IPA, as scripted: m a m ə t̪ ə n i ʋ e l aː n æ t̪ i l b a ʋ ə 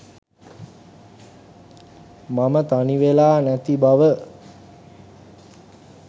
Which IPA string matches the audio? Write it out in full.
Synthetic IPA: m a m ə t̪ a n i ʋ e l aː n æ t̪ i b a ʋ ə